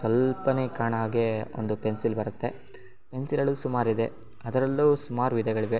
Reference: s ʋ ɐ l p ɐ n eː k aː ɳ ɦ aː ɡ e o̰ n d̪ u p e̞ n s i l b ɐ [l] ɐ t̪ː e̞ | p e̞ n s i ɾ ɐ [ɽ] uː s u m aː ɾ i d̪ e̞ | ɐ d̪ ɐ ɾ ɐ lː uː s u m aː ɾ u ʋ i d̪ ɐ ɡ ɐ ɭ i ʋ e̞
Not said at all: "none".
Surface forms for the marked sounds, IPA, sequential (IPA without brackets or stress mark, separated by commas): ɾ, ɭ